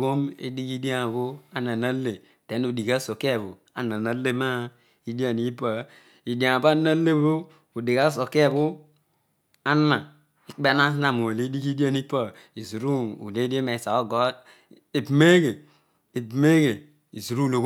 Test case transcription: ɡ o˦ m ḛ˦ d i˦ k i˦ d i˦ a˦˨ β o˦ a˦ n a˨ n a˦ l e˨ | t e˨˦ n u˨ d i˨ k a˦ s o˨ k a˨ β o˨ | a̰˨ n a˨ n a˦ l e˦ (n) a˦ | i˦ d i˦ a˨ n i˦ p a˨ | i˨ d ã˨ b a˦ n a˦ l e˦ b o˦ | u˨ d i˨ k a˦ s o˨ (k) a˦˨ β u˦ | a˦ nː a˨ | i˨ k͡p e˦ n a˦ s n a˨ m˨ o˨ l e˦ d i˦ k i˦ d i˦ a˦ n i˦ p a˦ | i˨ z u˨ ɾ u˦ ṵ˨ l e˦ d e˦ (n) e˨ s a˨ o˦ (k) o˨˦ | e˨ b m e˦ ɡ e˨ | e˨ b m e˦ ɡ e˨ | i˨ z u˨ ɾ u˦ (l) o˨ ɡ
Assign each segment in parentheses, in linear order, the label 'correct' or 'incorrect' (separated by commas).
incorrect, correct, incorrect, incorrect, correct